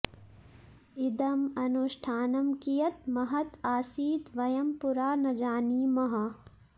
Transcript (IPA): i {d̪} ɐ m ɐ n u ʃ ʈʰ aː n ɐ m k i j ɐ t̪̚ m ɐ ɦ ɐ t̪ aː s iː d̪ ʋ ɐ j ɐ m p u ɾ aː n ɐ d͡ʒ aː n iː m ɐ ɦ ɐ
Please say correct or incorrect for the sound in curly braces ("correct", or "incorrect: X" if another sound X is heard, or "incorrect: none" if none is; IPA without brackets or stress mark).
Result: correct